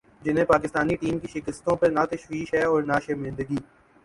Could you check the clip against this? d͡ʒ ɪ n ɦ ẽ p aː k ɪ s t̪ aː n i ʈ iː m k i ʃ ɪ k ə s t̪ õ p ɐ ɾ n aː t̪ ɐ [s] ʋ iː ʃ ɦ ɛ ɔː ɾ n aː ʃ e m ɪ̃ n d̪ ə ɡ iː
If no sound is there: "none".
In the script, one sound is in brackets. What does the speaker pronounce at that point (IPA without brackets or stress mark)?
ʃ